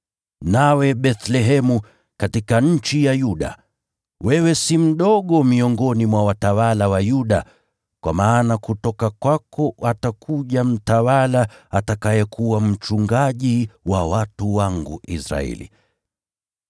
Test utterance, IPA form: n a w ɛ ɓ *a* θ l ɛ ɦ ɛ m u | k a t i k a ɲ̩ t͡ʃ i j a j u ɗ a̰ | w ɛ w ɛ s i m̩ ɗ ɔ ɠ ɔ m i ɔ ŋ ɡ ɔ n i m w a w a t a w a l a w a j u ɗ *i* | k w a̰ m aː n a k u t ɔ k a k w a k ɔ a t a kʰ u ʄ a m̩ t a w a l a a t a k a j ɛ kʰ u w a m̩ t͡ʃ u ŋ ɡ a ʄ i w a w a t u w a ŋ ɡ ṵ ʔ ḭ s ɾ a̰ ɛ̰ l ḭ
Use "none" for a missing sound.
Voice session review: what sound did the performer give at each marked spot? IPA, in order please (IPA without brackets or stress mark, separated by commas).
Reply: ɛ, a